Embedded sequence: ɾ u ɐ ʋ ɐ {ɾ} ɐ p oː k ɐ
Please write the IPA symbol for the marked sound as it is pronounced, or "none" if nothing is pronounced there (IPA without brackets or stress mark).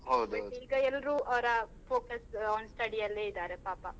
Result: ɾ